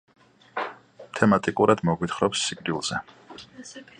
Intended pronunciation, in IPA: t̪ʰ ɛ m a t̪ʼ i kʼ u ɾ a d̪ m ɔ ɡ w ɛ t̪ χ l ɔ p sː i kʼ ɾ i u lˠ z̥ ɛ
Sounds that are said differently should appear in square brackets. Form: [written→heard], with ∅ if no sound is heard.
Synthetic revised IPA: t̪ʰ ɛ m a t̪ʼ i kʼ u ɾ a d̪ m ɔ ɡ w [ɛ→i] t̪ χ [l→ɾ] ɔ p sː i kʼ ɾ i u lˠ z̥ ɛ